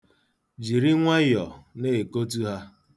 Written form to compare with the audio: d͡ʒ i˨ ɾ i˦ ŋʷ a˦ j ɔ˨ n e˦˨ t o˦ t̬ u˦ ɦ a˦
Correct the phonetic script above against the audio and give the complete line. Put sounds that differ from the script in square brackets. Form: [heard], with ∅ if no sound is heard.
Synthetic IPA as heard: d͡ʒ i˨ ɾ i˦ ŋʷ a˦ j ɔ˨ n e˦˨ [k] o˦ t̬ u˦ ɦ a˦